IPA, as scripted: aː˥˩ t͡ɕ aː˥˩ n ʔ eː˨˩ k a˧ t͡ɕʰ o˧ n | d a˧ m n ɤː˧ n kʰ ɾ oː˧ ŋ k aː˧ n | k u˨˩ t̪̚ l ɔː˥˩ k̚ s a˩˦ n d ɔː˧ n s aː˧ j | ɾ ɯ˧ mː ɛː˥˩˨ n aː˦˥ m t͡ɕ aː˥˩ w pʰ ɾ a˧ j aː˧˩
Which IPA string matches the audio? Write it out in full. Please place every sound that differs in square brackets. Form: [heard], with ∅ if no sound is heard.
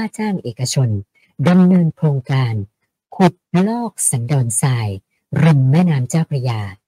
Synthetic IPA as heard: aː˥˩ t͡ɕ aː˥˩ [ŋ] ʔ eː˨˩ k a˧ t͡ɕʰ o˧ n | d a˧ m n ɤː˧ n kʰ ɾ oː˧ ŋ k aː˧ n | [kʰ] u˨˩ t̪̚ l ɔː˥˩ k̚ s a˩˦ n d ɔː˧ n s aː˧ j | ɾ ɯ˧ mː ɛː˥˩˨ n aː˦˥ m t͡ɕ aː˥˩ w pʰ ɾ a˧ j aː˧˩